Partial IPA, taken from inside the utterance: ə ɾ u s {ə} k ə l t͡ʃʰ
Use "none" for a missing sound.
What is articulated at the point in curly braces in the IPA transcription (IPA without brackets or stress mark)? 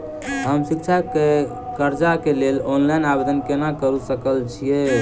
ə